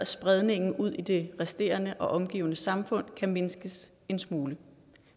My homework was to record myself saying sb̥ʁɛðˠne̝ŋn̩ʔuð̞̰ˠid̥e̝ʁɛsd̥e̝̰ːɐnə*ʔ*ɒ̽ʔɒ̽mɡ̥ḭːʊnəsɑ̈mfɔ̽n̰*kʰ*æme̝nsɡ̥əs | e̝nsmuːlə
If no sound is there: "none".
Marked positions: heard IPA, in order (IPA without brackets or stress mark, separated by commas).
ʔ, kʰ